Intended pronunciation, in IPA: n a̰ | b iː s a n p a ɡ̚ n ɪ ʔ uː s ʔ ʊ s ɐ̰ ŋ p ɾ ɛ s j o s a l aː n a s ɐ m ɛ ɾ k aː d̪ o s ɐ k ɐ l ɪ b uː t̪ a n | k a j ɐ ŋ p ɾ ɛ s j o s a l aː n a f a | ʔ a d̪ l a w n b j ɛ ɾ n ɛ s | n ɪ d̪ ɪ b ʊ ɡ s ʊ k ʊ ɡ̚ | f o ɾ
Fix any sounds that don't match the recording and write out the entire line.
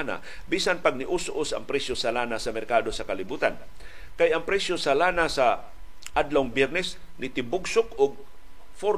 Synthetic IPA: n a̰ | b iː s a n p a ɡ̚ n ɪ ʔ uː s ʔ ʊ s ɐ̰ ŋ p ɾ ɛ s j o s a l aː n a s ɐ m ɛ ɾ k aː d̪ o s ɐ k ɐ l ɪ b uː t̪ a n | k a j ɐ ŋ p ɾ ɛ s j o s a l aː n a s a | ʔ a d̪ l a w ŋ b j ɛ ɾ n ɛ s | n ɪ t̪ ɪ b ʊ ɡ s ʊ k ʊ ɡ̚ | f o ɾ